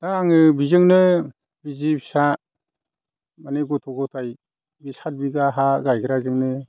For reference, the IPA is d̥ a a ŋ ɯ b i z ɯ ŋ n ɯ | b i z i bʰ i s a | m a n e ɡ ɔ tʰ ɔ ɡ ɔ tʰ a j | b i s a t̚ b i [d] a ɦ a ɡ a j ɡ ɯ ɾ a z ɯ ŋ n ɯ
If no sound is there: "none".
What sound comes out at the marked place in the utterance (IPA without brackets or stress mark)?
ɡ